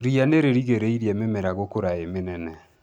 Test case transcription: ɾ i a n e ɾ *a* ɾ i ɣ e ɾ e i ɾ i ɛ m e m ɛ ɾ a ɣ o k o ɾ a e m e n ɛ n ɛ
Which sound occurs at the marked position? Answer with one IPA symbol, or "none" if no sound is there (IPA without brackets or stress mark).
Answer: e